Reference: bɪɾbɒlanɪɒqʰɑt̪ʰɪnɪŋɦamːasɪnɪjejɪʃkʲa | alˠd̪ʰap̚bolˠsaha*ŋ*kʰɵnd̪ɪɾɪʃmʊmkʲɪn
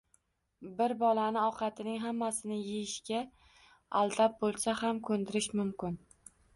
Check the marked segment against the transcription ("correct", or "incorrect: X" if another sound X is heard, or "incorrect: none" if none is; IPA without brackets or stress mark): incorrect: m